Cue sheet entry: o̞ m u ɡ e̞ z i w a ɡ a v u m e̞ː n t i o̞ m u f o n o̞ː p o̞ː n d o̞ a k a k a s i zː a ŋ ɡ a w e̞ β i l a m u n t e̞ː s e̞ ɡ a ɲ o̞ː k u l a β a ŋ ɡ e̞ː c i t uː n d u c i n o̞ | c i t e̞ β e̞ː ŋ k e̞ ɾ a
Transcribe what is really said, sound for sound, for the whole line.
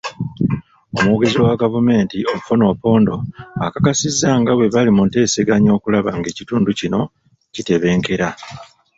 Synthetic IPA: o̞ m u ɡ e̞ z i w a ɡ a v u m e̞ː n t i o̞ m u f o n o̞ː p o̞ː n d o̞ a k a k a s i zː a ŋ ɡ a w e̞ β a l i m u n t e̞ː s e̞ ɡ a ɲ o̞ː k u l a β a ŋ ɡ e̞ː c i t uː n d u c i n o̞ | c i t e̞ β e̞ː ŋ k e̞ ɾ a